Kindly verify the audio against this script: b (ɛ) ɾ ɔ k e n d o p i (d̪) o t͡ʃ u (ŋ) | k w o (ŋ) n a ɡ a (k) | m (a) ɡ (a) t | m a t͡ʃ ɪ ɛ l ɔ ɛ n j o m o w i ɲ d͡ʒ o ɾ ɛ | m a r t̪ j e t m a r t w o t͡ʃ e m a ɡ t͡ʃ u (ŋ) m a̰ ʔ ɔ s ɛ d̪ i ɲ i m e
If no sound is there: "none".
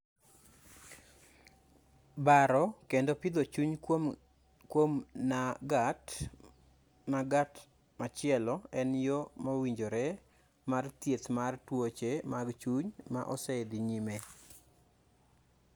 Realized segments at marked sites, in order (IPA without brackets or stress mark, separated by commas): a, d̪, ɲ, m, t, a, a, ɲ